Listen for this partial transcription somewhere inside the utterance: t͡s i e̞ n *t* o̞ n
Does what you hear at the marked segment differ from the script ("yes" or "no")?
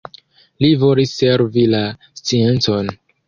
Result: yes